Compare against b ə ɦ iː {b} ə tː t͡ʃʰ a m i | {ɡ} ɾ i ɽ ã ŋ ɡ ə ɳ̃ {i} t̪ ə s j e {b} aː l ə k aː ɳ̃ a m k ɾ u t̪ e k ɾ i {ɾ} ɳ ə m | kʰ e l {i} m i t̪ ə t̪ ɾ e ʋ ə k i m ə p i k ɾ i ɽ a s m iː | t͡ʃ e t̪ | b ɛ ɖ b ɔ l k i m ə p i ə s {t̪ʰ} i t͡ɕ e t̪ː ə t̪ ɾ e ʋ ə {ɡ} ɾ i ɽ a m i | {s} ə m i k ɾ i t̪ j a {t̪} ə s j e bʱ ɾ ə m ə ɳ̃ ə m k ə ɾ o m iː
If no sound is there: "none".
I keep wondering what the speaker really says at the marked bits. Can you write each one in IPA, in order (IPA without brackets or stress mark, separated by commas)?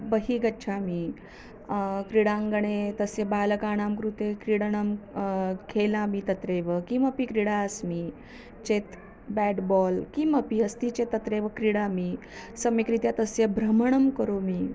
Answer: ɡ, k, e, b, ɽ, a, t̪, k, s, t̪